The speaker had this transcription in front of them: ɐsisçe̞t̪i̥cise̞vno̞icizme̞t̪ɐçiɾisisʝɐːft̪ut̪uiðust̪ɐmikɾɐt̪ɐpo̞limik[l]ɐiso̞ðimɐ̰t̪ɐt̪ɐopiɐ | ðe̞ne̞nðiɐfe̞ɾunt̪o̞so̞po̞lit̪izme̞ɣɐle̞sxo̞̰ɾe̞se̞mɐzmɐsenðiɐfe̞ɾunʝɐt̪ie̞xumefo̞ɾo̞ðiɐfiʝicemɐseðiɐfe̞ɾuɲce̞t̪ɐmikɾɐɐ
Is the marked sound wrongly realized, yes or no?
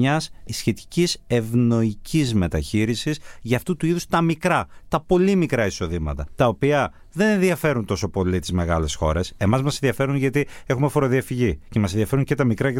yes